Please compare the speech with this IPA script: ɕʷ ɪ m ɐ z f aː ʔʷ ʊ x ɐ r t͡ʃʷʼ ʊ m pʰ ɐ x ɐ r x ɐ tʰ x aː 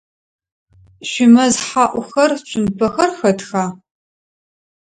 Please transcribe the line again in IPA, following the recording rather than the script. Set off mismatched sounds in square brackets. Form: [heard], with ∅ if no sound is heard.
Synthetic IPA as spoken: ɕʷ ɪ m ɐ z [ħ] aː ʔʷ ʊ x ɐ r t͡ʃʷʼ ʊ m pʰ ɐ x ɐ r x ɐ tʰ x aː